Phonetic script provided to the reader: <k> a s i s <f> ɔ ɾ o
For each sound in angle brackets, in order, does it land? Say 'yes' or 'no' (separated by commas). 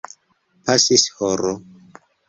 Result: no, no